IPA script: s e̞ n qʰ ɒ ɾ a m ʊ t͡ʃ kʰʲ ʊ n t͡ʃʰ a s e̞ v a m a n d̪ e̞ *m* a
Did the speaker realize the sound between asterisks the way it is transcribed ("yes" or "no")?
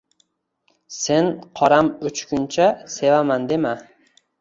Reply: yes